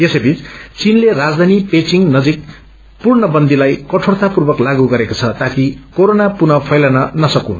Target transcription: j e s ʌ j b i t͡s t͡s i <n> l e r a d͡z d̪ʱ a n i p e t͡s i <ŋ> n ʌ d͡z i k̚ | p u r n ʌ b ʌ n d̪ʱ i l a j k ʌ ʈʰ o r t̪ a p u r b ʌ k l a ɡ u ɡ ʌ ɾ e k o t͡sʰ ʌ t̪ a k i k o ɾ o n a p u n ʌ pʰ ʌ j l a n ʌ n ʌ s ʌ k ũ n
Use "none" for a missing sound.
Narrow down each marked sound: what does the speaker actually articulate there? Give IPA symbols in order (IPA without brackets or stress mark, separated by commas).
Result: n, ŋ